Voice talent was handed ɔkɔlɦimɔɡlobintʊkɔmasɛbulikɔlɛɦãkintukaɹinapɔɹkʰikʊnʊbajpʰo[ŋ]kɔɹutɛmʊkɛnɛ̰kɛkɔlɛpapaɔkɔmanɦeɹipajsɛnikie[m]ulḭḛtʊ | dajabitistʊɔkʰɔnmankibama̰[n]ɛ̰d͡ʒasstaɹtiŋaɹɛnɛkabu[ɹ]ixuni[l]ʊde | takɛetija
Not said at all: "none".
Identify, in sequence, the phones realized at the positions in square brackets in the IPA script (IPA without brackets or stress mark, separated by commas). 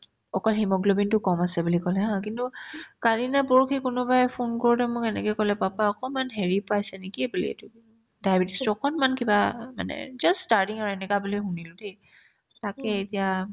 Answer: n, b, n, l, l